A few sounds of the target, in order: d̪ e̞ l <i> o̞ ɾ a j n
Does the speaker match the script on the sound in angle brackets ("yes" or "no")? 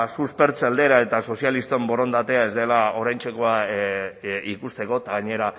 no